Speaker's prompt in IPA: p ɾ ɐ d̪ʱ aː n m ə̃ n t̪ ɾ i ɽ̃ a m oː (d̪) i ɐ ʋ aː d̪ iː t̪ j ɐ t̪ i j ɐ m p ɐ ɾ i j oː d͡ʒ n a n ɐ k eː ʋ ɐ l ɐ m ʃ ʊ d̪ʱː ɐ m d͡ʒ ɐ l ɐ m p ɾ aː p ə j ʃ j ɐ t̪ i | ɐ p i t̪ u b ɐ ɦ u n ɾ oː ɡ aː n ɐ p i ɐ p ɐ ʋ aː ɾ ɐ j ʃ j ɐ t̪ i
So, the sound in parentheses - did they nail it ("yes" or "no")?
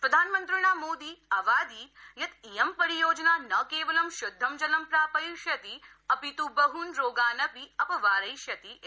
yes